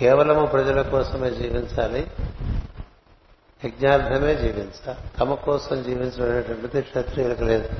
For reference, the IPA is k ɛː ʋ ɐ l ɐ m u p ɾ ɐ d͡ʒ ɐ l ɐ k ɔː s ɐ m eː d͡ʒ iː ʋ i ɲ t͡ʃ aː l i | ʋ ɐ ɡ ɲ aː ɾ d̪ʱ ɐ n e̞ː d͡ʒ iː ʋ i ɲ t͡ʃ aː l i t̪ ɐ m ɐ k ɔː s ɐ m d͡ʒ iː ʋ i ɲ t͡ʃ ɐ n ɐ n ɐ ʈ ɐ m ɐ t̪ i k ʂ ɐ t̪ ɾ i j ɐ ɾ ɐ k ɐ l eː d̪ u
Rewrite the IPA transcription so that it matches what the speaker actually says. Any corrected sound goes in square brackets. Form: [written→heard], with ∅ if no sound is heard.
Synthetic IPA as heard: k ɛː ʋ ɐ l ɐ m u p ɾ ɐ d͡ʒ ɐ l ɐ k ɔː s ɐ m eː d͡ʒ iː ʋ i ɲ t͡ʃ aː l i | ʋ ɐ ɡ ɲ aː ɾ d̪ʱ ɐ [n→m] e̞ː d͡ʒ iː ʋ i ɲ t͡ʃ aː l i t̪ ɐ m ɐ k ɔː s ɐ m d͡ʒ iː ʋ i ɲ t͡ʃ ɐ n ɐ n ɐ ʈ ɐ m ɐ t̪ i k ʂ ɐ t̪ ɾ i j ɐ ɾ ɐ k ɐ l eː d̪ u